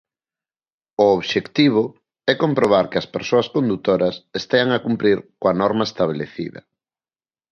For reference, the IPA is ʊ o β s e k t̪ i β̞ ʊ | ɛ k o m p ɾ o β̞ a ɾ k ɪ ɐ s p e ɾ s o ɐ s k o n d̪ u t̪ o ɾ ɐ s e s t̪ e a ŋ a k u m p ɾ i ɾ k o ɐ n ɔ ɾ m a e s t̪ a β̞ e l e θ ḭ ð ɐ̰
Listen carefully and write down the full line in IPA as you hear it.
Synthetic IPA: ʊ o β ʃ e k t̪ i β̞ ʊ | ɛ k o m p ɾ o β̞ a ɾ k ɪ ɐ s p e ɾ s o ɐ s k o n d̪ u t̪ o ɾ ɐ s e s t̪ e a ŋ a k u m p ɾ i ɾ k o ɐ n ɔ ɾ m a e s t̪ a β̞ e l e θ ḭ ð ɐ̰

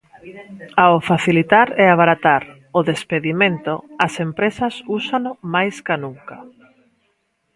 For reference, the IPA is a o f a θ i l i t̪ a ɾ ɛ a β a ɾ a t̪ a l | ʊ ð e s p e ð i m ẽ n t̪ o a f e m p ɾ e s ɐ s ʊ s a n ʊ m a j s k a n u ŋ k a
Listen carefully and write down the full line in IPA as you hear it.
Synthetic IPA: a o f a θ i l i t̪ a ɾ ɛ a β a ɾ a t̪ a ɾ | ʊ ð e s p e ð i m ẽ n t̪ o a s e m p ɾ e s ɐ s u s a n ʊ m a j s k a n u ŋ k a

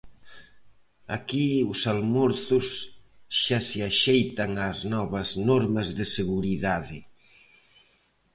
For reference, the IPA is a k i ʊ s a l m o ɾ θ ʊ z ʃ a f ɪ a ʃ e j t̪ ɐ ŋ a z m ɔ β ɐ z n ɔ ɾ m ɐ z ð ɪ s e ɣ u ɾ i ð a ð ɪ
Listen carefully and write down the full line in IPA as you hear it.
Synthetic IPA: a k i ʊ s a l m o ɾ θ ʊ s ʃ a s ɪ a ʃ e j t̪ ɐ ŋ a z n ɔ β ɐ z n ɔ ɾ m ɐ z ð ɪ s e ɣ u ɾ i ð a ð ɪ

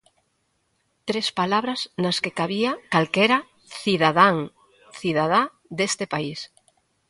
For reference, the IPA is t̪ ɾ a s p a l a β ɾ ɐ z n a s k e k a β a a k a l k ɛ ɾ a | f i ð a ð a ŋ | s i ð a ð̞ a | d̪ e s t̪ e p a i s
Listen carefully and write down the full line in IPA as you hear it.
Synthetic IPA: t̪ ɾ e s p a l a β ɾ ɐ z n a s k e k a β i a k a l k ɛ ɾ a | θ i ð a ð a ŋ | θ i ð a ð̞ a | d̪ e s t̪ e p a i s

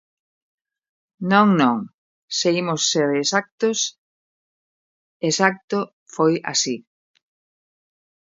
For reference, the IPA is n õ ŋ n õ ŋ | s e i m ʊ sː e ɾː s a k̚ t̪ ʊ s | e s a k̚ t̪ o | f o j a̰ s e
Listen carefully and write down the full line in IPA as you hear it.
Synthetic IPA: n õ ŋ n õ ŋ | s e i m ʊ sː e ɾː s a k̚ t̪ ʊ s | e s a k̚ t̪ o | f o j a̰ s i

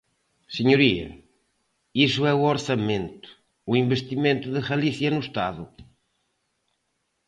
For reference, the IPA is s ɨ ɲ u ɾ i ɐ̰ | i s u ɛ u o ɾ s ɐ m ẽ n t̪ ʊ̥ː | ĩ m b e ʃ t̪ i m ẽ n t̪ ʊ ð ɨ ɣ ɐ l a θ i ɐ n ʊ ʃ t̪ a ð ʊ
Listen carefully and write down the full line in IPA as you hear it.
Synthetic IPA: s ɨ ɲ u ɾ i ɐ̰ | i s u ɛ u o ɾ s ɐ m ẽ n t̪ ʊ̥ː | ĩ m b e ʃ t̪ i m ẽ n t̪ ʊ ð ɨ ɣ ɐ l i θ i ɐ n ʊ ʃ t̪ a ð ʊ

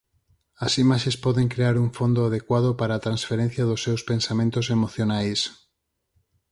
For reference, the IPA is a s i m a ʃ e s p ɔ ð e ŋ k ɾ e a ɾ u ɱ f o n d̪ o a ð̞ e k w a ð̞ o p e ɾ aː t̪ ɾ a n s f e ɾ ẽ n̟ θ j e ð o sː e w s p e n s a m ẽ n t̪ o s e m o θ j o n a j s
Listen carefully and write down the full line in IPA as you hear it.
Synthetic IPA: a s i m a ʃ e s p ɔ ð e ŋ k ɾ e a ɾ u ɱ f o n d̪ o a ð̞ e k w a ð̞ o p a ɾ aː t̪ ɾ a n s f e ɾ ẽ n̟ θ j a ð o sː e w s p e n s a m ẽ n t̪ o s e m o θ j o n a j s

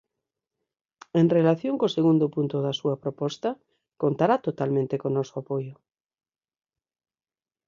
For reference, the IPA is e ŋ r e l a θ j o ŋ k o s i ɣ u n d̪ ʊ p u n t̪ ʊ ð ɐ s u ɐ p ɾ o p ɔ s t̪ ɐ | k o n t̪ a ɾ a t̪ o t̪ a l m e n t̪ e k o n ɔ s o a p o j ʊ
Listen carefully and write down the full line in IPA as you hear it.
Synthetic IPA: e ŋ r e l a θ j o ŋ k o s e ɣ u n d̪ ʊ p u n t̪ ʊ ð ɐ s u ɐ p ɾ o p ɔ s t̪ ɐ | k o n t̪ a ɾ a t̪ o t̪ a l m ẽ n t̪ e k o n ɔ s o a p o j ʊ

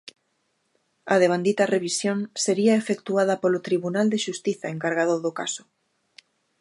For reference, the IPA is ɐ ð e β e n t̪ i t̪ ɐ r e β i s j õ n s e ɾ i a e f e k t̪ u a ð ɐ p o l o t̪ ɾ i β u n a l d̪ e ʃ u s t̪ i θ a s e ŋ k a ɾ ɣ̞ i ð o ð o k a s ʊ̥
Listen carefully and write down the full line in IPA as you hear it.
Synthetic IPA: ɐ ð e β a n d̪ i t̪ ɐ r e β i s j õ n s e ɾ i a e f e k t̪ u a ð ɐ p o l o t̪ ɾ i β u n a l d̪ e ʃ u s t̪ i θ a e ŋ k a ɾ ɣ̞ a ð o ð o k a s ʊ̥

